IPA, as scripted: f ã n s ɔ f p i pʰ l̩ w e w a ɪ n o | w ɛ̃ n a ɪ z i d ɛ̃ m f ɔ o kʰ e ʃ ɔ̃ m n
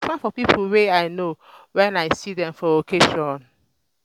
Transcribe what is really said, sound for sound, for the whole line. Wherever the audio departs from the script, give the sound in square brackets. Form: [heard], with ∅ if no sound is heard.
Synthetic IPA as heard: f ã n [f] ɔ [∅] p i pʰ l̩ w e [∅] a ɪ n o | w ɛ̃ n a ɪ [s] i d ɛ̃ m f ɔ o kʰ e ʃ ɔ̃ [∅] n

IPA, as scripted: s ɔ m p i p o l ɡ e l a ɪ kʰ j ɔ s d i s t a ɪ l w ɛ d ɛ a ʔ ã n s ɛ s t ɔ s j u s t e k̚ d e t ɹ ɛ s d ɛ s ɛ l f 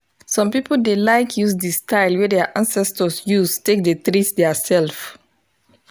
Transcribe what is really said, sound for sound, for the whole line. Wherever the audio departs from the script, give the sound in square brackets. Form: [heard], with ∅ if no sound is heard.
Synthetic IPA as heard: s [ɔ̃] m p i p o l [d] e l a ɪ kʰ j [u] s d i s t a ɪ l w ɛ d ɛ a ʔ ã n s ɛ s t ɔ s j u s t e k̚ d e t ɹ [i] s d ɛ s ɛ l f

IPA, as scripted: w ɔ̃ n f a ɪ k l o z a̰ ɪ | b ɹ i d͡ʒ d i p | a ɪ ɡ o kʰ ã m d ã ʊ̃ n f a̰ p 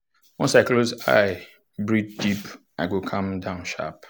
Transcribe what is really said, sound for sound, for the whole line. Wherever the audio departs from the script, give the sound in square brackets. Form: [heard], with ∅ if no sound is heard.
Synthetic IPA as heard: w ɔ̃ n [s] a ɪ k l o z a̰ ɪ | b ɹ i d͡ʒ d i p | a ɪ ɡ o kʰ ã m d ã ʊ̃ n [ʃ] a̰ p

